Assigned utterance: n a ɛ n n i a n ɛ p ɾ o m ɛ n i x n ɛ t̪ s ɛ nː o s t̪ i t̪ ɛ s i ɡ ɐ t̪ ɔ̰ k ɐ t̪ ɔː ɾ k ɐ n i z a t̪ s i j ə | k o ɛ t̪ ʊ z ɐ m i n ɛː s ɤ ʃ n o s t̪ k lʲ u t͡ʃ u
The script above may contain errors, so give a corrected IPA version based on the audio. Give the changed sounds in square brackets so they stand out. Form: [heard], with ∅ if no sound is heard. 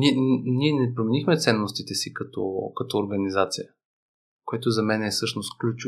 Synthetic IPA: n [i] ɛ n n i [ɛ] n ɛ p ɾ o m ɛ n i x [m] ɛ t̪ s ɛ nː o s t̪ i t̪ ɛ s i [k] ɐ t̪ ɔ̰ k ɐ t̪ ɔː ɾ [ɡ] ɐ n i z a t̪ s i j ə | k o ɛ t̪ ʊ z ɐ m [ɛ] n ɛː s ɤ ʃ n o s t̪ k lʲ u t͡ʃ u